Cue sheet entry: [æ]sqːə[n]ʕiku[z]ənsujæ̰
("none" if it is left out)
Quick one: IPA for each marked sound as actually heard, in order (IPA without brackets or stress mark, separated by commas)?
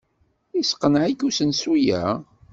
i, n, s